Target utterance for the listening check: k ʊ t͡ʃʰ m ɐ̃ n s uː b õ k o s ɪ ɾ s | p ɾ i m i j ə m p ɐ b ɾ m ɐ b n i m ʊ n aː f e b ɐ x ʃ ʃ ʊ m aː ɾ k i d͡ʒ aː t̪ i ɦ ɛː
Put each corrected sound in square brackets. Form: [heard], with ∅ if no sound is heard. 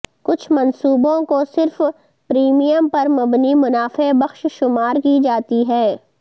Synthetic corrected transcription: k ʊ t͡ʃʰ m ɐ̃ n s uː b õ k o s ɪ ɾ [f] | p ɾ [iː] m i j ə m p ɐ [∅] ɾ m ɐ b n i m ʊ n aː f e b ɐ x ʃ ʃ ʊ m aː ɾ k i d͡ʒ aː t̪ i ɦ ɛː